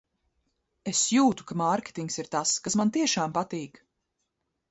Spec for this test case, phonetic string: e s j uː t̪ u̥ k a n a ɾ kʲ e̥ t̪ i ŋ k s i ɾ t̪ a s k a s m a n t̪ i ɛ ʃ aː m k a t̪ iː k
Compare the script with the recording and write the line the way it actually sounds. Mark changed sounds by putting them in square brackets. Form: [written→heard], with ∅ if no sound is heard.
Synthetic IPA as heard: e s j uː t̪ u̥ k a [n→m] a ɾ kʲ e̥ t̪ i ŋ k s i ɾ t̪ a s k a s m a n t̪ i ɛ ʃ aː m [k→p] a t̪ iː k